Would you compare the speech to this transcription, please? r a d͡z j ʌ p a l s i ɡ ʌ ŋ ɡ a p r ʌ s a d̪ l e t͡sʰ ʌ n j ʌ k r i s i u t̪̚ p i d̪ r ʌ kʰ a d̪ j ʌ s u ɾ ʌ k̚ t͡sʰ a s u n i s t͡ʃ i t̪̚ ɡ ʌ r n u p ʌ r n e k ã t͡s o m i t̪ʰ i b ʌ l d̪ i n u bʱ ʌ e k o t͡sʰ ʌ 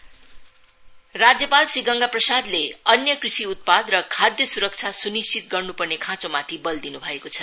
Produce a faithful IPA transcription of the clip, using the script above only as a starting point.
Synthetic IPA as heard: r a d͡z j ʌ p a l s i ɡ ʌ ŋ ɡ a p r ʌ s a d̪ l e ʌ n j ʌ k r i s i u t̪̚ p a d̪ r ʌ kʰ a d̪ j ʌ s u ɾ ʌ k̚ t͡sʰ a s u n i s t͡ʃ i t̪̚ ɡ ʌ r n u p ʌ r n e kʰ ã t͡s o m a t̪ʰ i b ʌ l d̪ i n u bʱ ʌ e k o t͡sʰ ʌ

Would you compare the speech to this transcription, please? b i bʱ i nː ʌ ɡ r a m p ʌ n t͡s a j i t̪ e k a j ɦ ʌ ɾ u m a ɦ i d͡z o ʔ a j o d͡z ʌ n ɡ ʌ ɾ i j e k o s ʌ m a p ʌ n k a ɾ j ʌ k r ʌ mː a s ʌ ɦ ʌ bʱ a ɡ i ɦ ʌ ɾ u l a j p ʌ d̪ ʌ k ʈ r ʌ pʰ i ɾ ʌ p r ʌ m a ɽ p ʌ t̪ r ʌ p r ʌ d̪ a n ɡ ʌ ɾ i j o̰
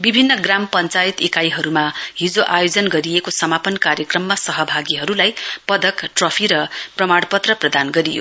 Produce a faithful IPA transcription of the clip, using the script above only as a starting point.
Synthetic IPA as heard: b i bʱ i nː ʌ ɡ r a m p ʌ n t͡s a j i t̪ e k a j ɦ ʌ ɾ u m a ɦ i d͡z o ʔ a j o d͡z ʌ n ɡ ʌ ɾ i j e k o s ʌ m a p ʌ n k a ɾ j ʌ k r ʌ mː a s ʌ ɦ ʌ bʱ a ɡ i ɦ ʌ ɾ u l a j p ʌ d̪ ʌ k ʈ r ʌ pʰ i ɾ ʌ p r ʌ m a ɽ p ʌ t̪ r ʌ p r ʌ d̪ a n ɡ ʌ ɾ i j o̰

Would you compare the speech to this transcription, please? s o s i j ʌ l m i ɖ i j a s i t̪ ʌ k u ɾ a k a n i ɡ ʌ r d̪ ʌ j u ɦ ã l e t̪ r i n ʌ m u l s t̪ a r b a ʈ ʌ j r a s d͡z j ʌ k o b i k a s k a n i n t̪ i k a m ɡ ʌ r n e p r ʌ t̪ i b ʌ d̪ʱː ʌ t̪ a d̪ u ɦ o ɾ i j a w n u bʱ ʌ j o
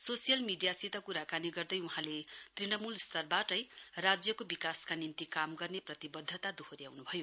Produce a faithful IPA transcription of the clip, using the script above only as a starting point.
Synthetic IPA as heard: s o s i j ʌ l m i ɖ i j a s i t̪ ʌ k u ɾ a k a n i ɡ ʌ r d̪ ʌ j u ɦ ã l e t̪ r i n ʌ m u l s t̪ ʌ r b a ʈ ʌ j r a d͡z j ʌ k o b i k a s k a n i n t̪ i k a m ɡ ʌ r n e p r ʌ t̪ i b ʌ d̪ʱː ʌ t̪ a d̪ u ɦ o ɾ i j a w n u bʱ ʌ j o

